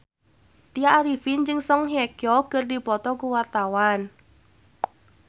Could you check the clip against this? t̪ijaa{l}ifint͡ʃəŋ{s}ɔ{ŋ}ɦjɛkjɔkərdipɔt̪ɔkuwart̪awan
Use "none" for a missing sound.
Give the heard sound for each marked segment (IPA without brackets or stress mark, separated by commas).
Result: ɾ, s, ŋ